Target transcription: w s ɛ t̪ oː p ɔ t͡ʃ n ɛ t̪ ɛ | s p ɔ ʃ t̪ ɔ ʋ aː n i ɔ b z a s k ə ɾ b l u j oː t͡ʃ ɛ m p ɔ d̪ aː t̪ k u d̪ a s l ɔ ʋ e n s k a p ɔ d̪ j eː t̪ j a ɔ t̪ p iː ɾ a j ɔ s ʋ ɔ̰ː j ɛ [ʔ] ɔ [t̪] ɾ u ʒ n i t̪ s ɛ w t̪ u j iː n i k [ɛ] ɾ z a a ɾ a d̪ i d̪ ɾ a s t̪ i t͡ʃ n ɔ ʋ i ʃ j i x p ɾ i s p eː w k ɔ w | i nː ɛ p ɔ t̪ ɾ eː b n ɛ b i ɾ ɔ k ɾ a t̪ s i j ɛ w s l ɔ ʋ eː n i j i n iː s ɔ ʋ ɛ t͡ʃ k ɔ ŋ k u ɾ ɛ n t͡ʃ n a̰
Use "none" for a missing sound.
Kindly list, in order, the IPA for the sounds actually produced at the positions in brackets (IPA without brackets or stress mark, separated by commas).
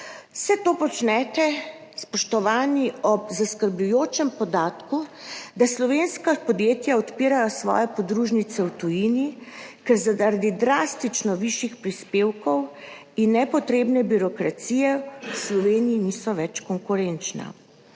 p, d̪, ɛ